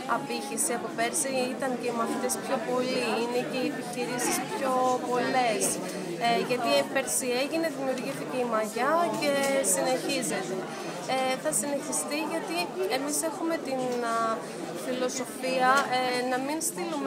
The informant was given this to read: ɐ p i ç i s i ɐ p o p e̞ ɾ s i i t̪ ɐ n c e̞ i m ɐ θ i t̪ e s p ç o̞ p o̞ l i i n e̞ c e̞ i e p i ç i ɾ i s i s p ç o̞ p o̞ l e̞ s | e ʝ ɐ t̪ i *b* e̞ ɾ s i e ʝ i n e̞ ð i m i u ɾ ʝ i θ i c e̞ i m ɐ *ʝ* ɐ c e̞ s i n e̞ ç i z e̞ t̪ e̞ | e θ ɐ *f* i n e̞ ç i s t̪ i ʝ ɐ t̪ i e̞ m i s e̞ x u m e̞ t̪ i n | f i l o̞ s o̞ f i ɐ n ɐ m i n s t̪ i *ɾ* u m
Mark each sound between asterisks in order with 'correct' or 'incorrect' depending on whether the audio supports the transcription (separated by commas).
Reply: incorrect, correct, incorrect, incorrect